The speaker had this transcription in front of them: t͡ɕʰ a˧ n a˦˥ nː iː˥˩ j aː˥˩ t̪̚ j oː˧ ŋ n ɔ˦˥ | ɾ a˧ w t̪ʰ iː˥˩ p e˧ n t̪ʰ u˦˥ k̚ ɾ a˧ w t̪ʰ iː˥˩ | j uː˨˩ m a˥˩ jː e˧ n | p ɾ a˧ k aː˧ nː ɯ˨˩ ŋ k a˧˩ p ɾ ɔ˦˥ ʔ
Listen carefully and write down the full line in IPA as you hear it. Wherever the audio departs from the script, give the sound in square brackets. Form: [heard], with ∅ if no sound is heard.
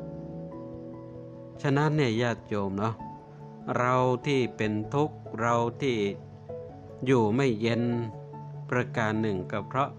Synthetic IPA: t͡ɕʰ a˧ n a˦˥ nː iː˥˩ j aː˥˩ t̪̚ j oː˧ [m] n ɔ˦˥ | ɾ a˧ w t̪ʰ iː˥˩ p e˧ n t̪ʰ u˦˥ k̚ ɾ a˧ w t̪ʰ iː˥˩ | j uː˨˩ m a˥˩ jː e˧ n | p ɾ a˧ k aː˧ nː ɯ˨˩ ŋ k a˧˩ [pʰ] ɾ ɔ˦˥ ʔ